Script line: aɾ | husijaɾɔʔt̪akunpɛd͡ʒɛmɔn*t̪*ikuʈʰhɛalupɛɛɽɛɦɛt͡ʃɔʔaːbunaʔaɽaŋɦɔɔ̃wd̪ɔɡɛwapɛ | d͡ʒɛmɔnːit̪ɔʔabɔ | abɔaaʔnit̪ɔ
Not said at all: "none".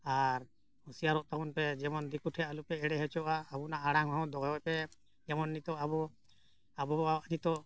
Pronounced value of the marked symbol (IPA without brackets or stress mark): d̪